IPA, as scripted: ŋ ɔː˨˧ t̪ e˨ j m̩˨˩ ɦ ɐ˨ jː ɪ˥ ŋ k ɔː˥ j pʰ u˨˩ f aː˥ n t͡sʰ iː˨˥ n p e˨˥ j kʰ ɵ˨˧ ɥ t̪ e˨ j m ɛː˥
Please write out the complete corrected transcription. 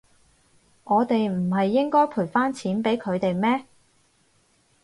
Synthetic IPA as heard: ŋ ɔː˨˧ t̪ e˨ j m̩˨˩ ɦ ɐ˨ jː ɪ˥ ŋ k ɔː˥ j pʰ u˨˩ f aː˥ n t͡sʰ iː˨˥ n p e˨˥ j kʰ ɵ˨˧ ɥ t̪ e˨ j m ɛː˥